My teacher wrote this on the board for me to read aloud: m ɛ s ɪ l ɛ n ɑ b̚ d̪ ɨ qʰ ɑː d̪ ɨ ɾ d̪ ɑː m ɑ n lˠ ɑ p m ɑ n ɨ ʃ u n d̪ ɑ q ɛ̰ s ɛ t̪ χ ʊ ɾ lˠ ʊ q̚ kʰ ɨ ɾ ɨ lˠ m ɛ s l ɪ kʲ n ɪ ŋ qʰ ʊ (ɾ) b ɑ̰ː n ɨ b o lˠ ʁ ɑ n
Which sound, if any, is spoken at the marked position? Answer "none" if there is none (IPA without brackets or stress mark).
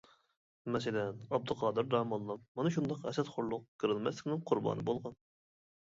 ɾ